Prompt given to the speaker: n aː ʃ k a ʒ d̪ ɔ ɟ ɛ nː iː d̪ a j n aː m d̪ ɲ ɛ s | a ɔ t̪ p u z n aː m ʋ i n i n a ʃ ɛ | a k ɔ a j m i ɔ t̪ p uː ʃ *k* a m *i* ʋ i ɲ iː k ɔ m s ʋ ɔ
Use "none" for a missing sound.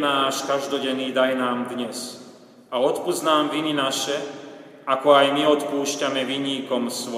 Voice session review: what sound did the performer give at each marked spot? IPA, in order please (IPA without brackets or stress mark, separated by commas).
c, ɛ